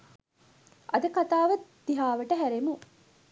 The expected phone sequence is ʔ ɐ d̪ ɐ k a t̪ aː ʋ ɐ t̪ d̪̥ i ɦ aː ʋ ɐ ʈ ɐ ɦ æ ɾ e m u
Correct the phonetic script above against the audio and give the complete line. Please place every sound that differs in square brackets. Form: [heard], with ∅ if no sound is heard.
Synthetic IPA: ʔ ɐ d̪ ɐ k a t̪ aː ʋ ɐ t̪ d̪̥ i ɦ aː ʋ ɐ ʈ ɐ ɦ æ ɾ e m u